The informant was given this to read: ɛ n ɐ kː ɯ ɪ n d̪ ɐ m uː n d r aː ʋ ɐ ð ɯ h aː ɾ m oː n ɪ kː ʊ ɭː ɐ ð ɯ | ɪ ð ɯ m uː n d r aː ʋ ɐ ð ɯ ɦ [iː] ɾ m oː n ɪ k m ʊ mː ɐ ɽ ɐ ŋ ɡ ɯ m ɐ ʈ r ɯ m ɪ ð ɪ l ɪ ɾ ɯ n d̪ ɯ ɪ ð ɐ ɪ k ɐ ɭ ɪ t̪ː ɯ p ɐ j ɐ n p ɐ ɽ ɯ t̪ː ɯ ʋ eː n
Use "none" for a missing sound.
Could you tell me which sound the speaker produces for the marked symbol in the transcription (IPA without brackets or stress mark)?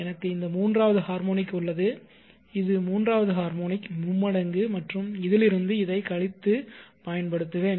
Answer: aː